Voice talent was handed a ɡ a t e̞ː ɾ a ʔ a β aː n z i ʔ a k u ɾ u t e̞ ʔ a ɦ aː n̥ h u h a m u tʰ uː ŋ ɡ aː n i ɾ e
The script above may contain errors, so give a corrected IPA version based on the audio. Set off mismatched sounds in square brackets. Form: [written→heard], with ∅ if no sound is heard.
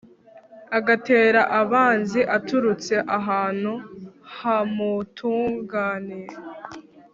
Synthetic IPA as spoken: a ɡ a t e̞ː ɾ a ʔ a β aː n z i ʔ a [k→t] u ɾ u [t→t͡s] e̞ ʔ a ɦ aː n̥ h u h a m u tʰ uː ŋ ɡ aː n i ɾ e